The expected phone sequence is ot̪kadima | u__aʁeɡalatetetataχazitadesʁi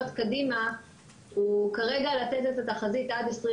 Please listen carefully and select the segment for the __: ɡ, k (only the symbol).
k